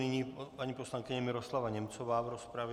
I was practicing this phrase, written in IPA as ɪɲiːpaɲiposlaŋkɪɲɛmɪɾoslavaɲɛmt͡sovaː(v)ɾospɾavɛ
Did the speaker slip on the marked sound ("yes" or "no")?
no